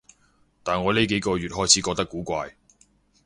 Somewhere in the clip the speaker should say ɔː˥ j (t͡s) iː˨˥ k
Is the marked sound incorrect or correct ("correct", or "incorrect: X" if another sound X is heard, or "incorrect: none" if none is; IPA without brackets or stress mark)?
incorrect: t͡sʰ